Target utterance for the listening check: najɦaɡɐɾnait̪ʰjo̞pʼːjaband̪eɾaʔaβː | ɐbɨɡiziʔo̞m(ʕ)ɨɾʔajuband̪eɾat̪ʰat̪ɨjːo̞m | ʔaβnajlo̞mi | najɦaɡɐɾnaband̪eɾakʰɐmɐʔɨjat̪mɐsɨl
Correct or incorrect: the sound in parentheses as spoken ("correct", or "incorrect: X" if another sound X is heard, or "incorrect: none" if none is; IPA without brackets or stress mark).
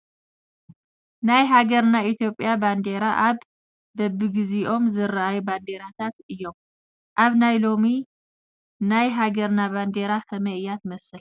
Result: incorrect: z